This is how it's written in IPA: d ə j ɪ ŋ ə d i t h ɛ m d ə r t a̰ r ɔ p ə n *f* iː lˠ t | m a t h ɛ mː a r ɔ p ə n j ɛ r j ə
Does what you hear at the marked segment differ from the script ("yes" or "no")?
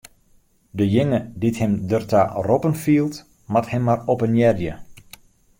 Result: no